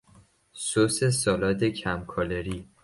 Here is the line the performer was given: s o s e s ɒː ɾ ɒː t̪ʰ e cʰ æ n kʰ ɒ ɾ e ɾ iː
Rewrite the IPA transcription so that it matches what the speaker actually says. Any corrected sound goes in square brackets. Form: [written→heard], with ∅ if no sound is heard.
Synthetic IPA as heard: s o s e s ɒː [ɾ→l] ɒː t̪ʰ e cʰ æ [n→m] kʰ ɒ [ɾ→l] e ɾ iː